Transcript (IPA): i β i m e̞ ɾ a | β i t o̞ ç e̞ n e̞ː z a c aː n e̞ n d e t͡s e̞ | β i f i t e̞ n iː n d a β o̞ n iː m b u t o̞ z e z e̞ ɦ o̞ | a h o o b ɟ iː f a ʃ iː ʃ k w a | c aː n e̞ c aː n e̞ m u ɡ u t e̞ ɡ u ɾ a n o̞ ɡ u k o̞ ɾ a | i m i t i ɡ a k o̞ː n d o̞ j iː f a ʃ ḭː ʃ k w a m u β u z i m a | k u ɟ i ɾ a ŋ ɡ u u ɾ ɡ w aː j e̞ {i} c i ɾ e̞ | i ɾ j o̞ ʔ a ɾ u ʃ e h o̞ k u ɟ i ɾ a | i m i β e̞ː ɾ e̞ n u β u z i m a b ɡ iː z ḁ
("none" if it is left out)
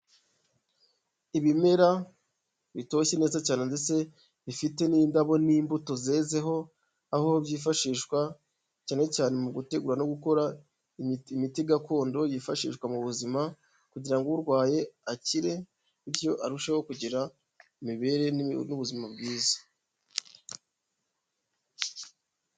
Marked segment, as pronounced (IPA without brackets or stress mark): a